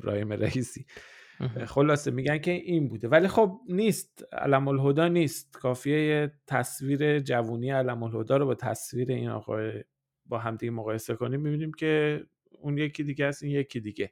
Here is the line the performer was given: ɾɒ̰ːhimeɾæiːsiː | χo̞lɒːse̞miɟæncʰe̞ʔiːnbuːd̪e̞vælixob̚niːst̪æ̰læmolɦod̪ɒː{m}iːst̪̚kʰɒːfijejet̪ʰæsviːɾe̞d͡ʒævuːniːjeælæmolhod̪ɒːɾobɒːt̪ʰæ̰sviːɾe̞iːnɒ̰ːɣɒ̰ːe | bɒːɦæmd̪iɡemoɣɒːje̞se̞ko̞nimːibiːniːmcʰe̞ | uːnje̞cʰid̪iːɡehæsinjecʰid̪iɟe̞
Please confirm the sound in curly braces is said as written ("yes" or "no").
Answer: no